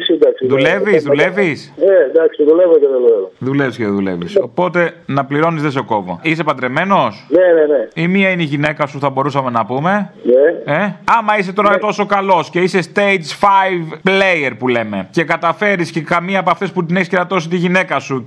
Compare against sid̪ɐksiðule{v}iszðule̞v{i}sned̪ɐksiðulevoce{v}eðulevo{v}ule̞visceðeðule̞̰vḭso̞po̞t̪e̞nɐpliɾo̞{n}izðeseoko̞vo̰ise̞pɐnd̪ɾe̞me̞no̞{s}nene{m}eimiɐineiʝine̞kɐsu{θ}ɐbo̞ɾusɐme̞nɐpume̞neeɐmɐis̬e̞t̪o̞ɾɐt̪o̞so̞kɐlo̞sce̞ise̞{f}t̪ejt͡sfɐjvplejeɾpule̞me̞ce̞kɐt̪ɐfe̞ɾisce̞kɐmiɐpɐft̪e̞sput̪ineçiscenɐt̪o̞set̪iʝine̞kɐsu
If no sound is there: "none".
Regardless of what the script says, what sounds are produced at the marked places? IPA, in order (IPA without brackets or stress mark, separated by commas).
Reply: v, i, ð, ð, n, s, n, θ, s